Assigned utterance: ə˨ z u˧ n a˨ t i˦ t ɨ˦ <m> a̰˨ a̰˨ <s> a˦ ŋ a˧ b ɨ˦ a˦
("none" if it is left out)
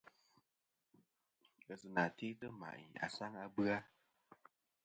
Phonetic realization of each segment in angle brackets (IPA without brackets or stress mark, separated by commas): m, s